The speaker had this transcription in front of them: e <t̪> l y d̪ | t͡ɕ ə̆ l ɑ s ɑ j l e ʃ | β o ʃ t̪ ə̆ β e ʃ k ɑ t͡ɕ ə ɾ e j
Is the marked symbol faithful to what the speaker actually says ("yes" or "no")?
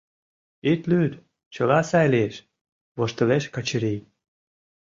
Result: yes